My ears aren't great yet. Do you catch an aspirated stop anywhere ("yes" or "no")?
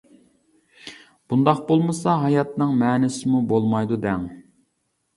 no